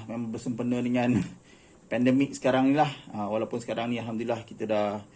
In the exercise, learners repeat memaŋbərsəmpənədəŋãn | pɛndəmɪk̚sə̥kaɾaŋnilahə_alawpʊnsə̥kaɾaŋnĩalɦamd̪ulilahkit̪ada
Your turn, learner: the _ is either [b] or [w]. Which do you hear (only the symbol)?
w